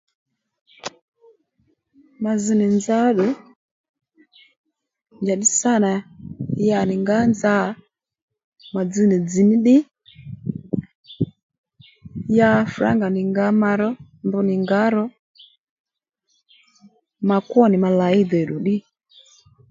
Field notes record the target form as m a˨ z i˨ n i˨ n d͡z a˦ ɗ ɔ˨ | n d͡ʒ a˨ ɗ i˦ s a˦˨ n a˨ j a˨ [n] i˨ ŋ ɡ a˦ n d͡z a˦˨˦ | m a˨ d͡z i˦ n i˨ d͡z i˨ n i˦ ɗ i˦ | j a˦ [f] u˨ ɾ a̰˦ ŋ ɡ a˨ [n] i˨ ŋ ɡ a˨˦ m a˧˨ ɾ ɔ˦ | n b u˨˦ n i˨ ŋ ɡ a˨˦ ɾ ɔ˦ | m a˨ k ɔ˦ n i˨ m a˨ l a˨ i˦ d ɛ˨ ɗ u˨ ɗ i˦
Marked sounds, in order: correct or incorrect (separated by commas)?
correct, correct, correct